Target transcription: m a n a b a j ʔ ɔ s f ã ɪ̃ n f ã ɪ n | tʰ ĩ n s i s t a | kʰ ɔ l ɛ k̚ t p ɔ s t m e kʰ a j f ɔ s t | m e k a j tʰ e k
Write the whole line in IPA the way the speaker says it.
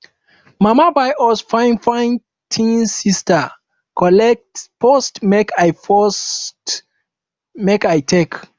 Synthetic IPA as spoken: m a m a b a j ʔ ɔ s f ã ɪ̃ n f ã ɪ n | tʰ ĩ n s i s t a | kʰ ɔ l ɛ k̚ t p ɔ s t m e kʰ a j f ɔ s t | m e k a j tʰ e k